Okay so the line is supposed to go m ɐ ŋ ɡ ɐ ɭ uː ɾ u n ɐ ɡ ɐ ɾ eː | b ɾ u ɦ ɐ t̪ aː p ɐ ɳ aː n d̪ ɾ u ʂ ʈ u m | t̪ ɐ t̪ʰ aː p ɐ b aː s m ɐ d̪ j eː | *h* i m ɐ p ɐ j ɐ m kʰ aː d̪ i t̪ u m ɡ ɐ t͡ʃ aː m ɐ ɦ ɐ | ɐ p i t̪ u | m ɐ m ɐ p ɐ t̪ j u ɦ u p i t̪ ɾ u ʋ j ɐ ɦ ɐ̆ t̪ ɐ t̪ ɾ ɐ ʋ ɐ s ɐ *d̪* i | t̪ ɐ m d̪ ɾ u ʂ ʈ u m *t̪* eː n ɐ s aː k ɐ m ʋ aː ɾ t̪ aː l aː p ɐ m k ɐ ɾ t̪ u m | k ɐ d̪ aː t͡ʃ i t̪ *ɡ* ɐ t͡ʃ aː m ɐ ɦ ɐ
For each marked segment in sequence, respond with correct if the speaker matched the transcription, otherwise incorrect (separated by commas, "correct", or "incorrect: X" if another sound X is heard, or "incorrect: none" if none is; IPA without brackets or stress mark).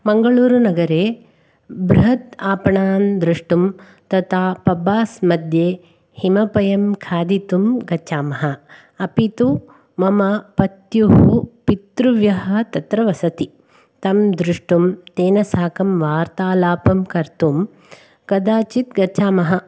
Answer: correct, incorrect: t̪, correct, correct